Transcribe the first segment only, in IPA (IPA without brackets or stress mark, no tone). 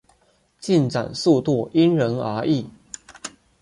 t͡ɕ